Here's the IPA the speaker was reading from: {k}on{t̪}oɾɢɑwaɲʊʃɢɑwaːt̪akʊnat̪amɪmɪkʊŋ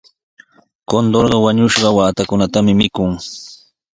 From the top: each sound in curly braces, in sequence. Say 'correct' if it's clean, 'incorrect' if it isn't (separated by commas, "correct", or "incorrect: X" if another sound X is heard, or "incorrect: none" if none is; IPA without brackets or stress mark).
correct, incorrect: d̪